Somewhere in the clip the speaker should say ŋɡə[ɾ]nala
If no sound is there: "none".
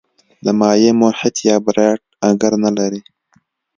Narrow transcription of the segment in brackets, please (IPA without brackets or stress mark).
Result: ɾ